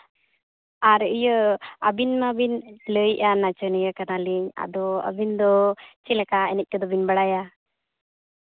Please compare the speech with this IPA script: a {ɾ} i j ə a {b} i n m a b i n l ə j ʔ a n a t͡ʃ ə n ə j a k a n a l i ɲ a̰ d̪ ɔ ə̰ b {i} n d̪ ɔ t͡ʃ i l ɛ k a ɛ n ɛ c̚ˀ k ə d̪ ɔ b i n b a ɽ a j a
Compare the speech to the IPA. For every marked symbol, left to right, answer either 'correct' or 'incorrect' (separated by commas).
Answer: correct, correct, correct